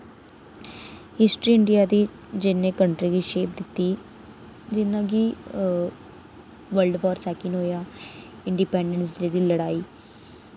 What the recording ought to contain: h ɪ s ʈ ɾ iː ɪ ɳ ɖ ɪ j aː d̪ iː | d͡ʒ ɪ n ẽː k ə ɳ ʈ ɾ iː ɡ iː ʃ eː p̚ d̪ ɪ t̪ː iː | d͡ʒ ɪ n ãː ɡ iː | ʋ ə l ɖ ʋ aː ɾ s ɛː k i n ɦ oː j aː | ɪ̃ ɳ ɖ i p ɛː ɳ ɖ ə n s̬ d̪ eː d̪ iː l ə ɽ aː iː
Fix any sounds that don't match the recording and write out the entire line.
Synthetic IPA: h ɪ s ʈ ɾ iː ɪ ɳ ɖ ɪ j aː d̪ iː | d͡ʒ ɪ n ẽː k ə ɳ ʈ ɾ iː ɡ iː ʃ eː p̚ d̪ ɪ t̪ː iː | d͡ʒ ɪ n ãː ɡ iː | ʋ ə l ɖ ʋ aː ɾ s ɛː k ɪ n ɦ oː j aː | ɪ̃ ɳ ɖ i p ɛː ɳ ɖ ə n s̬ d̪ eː d̪ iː l ə ɽ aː iː